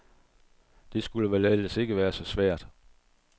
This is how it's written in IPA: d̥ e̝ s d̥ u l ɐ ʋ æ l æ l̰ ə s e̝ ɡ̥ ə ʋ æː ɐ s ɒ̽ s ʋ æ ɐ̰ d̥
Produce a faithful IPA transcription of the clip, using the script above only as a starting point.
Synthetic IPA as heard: d̥ e̝ s ɡ̥ u l ə ʋ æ l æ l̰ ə s e̝ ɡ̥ ə ʋ æː ɐ s ɒ̽ s ʋ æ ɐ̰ d̥